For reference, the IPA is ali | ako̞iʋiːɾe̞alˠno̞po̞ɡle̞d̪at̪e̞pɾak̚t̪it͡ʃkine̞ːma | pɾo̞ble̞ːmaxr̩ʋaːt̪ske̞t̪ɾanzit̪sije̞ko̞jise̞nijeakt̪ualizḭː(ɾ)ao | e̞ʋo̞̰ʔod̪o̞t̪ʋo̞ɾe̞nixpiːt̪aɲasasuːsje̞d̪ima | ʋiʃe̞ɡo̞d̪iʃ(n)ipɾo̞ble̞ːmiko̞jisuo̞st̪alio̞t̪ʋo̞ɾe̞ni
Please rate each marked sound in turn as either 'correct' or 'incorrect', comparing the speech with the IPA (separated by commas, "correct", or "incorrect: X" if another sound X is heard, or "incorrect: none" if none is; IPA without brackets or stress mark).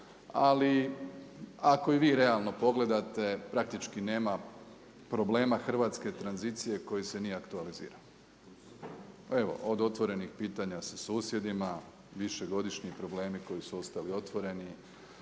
correct, incorrect: ɲ